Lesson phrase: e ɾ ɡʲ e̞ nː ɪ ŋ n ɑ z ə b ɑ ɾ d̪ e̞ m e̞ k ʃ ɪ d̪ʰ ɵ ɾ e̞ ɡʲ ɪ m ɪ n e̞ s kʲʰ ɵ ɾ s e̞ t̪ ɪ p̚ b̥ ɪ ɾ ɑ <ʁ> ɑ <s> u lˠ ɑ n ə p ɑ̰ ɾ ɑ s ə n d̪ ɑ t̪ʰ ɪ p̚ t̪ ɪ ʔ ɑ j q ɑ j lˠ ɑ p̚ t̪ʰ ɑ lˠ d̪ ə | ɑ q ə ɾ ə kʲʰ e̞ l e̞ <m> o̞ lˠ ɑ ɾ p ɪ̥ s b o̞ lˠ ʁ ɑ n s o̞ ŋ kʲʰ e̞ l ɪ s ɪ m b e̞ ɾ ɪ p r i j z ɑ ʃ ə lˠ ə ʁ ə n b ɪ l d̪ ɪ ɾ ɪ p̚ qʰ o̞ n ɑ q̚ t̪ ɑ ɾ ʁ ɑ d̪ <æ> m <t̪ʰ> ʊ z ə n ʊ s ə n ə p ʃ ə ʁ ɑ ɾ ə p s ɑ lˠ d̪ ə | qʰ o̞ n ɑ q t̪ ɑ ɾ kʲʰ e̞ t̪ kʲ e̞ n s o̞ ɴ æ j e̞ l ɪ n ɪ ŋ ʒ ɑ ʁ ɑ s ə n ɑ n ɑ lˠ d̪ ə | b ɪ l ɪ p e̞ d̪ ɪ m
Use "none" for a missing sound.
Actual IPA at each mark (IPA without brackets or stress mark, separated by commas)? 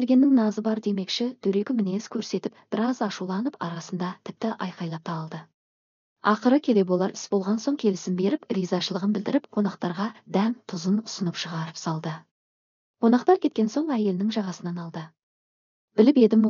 z, ʃ, b, æ, t̪ʰ